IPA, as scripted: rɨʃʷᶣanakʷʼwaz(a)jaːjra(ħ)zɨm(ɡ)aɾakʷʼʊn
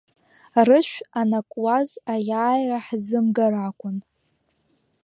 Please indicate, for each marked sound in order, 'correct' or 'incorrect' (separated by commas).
correct, correct, correct